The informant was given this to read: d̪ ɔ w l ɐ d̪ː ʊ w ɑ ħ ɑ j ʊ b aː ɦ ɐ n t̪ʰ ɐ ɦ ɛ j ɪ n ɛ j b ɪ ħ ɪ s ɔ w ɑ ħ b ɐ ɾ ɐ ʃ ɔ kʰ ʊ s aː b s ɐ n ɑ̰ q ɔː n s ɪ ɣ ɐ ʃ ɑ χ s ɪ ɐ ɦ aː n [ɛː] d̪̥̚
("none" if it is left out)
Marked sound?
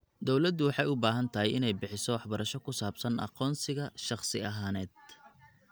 ɛː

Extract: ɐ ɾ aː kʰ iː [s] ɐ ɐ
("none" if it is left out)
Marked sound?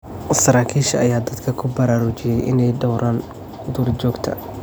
ʃ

